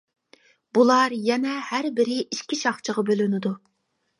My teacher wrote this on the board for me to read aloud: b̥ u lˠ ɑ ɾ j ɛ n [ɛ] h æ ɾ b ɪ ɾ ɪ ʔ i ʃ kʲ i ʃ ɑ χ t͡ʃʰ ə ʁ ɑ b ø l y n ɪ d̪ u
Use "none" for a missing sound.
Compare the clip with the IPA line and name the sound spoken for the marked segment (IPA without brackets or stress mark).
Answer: ɛ